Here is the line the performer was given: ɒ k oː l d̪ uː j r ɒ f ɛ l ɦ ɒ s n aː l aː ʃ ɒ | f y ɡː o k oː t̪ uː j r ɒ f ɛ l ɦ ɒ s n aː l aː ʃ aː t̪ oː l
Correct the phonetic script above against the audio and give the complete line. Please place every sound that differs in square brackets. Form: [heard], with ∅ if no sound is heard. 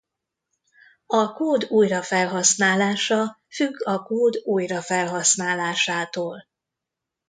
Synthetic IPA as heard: ɒ k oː [∅] d̪ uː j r ɒ f ɛ l ɦ ɒ s n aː l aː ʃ ɒ | f y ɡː [ɒ] k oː [d̪] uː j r ɒ f ɛ l ɦ ɒ s n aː l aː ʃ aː t̪ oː l